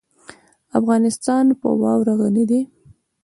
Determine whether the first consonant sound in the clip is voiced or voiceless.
voiceless